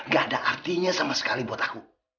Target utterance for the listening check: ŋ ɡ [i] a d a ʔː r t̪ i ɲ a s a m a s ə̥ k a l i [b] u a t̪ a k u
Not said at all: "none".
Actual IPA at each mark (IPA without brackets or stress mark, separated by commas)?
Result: a, b